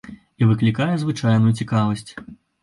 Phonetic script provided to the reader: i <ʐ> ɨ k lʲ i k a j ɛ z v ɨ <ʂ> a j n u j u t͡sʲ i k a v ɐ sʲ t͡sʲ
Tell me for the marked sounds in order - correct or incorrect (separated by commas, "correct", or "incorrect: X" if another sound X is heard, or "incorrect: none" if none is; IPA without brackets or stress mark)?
incorrect: v, incorrect: t͡ʂ